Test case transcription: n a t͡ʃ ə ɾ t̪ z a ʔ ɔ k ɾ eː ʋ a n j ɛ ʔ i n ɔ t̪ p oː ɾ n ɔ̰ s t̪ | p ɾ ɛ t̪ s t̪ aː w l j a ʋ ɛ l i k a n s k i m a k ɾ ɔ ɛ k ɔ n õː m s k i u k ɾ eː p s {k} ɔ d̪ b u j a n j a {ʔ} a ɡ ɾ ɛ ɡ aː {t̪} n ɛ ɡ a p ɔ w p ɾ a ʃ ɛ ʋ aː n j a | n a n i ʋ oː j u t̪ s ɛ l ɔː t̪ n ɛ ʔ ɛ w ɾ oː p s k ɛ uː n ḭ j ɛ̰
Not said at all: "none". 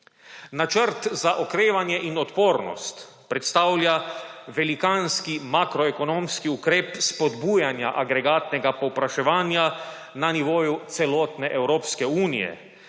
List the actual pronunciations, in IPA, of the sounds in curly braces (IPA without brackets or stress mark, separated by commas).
p, ʔ, t̪